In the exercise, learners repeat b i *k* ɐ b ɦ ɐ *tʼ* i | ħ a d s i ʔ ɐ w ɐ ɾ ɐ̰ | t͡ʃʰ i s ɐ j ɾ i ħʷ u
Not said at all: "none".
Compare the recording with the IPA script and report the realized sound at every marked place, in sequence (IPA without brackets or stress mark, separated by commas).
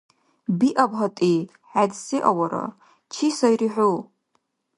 ʔ, tʼ